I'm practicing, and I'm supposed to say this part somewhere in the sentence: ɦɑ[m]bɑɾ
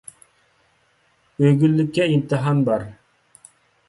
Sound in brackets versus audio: incorrect: n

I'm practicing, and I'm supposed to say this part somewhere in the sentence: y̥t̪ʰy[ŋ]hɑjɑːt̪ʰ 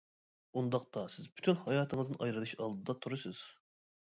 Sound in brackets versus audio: incorrect: n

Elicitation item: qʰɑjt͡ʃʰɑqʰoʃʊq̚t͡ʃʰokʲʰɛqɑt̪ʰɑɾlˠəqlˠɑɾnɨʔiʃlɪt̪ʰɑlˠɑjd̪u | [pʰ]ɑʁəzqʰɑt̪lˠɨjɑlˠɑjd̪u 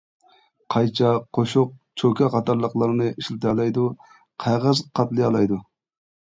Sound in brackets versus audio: incorrect: qʰ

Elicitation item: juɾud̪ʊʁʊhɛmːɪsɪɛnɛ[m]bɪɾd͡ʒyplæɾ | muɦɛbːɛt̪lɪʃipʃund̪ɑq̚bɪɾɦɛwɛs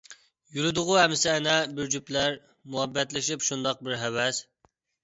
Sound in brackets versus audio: incorrect: none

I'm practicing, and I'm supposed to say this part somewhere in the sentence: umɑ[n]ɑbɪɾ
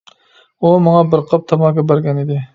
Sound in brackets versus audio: incorrect: ŋ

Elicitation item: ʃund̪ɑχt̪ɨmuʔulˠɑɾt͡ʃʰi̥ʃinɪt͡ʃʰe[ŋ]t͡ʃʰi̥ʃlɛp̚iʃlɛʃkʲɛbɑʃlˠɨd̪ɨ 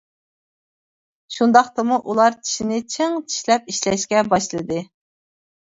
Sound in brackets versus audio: correct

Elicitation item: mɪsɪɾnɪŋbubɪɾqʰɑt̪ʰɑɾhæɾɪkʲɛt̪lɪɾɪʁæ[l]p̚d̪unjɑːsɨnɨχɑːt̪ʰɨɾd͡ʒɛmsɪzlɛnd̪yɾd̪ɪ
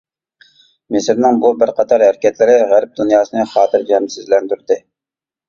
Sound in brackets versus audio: incorrect: ɾ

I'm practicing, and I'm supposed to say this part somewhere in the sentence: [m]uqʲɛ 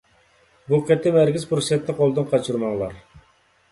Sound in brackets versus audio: incorrect: b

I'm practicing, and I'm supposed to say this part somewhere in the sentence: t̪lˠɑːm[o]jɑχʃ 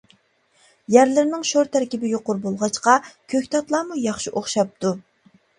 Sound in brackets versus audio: incorrect: u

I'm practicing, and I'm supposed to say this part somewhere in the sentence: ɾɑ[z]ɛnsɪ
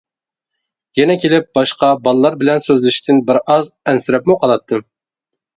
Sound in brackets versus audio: correct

